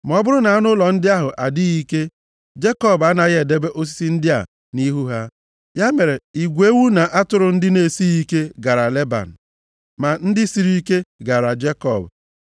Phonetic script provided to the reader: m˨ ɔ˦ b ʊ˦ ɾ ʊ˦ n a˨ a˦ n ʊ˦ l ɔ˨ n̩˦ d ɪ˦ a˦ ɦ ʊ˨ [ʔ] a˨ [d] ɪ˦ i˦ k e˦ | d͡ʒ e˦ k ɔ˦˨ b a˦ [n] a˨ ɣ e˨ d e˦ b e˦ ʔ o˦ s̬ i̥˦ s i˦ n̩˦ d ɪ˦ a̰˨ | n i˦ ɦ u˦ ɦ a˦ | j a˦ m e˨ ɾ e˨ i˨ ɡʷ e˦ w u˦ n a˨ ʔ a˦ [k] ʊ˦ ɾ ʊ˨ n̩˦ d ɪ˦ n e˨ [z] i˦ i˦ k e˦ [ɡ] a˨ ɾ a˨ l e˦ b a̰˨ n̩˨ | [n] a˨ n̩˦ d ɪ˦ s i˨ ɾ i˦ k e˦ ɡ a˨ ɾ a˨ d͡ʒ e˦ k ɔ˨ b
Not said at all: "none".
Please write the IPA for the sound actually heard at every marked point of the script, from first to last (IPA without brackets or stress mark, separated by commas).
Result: ʔ, d, n, t, s, ɡ, m